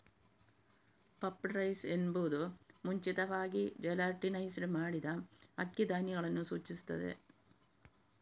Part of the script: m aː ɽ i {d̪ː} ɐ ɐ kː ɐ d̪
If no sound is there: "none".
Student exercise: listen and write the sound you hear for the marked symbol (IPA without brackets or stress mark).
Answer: d̪